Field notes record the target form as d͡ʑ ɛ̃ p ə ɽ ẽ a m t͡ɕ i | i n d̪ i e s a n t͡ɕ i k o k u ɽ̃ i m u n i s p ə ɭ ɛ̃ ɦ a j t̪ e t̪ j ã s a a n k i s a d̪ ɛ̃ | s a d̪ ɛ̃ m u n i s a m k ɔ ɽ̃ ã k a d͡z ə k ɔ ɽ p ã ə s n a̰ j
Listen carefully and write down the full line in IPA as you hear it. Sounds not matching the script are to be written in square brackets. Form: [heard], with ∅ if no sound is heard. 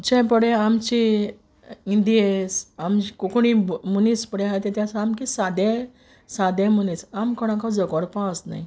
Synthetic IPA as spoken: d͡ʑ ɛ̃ p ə ɽ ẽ a m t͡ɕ i | i n d̪ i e s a [m] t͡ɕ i k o k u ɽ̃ i m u n i s p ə [ɽ] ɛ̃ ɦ a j t̪ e t̪ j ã s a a [m] k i s a d̪ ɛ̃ | s a d̪ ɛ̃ m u n i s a m k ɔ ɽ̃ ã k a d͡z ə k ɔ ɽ p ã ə s n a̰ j